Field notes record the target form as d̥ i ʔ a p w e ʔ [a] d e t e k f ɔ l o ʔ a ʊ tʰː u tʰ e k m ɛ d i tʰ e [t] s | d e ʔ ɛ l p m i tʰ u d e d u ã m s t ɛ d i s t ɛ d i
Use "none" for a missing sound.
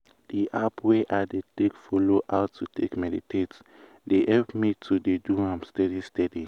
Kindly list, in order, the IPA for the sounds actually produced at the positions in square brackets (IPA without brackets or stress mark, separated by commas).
a, t